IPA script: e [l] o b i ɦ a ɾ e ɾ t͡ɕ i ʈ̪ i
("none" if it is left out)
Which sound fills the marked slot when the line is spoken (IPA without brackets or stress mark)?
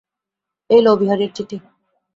l